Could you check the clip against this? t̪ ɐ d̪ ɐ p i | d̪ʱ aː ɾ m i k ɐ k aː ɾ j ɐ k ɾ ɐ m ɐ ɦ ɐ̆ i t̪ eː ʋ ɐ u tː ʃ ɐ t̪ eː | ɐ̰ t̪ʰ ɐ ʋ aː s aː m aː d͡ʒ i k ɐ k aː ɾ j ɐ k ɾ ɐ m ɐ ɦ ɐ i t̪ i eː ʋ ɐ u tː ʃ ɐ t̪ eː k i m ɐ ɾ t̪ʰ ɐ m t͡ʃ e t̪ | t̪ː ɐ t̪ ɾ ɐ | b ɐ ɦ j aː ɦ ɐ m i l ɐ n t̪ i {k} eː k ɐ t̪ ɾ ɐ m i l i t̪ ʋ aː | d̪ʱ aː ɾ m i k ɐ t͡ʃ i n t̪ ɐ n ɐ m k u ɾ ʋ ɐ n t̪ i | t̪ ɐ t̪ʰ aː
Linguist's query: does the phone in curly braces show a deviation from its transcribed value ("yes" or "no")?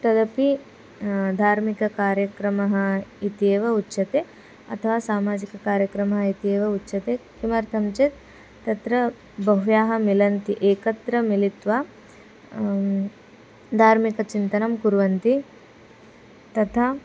yes